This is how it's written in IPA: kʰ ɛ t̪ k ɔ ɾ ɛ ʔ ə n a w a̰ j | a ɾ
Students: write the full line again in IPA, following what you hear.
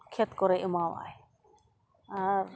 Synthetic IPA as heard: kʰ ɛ t̪ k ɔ ɾ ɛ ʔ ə m a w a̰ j | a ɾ